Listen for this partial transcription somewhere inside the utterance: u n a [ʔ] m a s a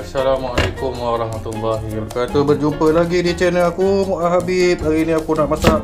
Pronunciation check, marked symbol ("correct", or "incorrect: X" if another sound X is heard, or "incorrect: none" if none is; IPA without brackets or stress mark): correct